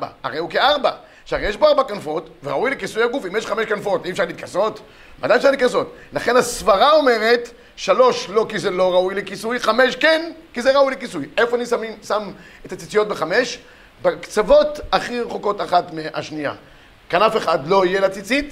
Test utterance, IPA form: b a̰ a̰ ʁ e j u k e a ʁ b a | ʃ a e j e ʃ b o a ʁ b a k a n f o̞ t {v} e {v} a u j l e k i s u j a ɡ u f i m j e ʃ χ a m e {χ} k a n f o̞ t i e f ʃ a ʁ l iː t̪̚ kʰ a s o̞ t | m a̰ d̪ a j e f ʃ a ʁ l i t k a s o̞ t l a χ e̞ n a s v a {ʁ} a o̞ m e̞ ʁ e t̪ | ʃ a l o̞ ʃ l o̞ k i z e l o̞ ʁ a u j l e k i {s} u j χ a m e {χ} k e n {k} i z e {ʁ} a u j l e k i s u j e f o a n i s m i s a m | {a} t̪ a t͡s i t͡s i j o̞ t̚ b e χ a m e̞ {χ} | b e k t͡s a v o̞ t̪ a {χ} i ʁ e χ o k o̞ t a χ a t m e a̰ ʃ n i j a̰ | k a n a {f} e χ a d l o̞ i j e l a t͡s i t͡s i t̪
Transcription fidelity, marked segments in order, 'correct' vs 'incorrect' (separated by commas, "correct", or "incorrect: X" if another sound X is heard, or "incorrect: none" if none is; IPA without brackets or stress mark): correct, incorrect: ʁ, incorrect: ʃ, correct, correct, incorrect: ʃ, correct, correct, incorrect: e, incorrect: ʃ, correct, correct